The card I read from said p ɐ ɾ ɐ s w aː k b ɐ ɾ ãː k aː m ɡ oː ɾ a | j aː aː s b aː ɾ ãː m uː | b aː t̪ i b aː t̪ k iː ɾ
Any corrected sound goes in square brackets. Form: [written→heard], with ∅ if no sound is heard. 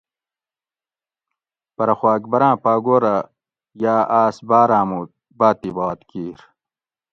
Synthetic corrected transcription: p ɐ ɾ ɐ [s→x] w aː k b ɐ ɾ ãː [k→p] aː [m→∅] ɡ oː ɾ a | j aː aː s b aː ɾ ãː m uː | b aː t̪ i b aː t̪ k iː ɾ